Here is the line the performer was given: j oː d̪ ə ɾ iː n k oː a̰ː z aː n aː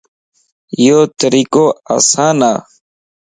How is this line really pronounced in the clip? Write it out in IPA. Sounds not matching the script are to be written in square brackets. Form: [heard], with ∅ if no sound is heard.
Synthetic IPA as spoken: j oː [t̪] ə ɾ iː [∅] k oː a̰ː [s] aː n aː